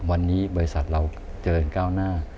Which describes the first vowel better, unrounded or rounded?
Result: unrounded